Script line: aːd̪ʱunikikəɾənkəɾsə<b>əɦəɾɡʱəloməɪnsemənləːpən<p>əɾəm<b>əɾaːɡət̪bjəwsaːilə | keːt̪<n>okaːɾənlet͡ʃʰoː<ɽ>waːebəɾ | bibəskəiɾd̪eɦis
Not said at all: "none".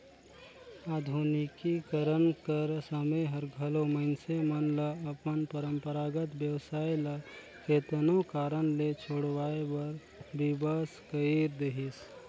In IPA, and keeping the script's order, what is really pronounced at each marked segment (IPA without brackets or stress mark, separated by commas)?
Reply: m, p, p, n, ɽ